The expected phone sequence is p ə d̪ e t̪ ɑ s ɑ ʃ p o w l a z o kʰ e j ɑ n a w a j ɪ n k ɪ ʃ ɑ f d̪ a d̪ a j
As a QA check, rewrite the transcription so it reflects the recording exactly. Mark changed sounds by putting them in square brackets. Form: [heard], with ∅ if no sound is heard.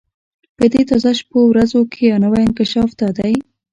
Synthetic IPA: p ə d̪ e t̪ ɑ [z] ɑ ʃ p o w [ɾ] a z o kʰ e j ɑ n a w a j ɪ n k ɪ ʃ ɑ f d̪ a d̪ a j